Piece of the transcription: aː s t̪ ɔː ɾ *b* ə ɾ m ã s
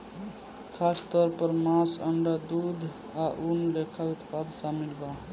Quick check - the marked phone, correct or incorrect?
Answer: incorrect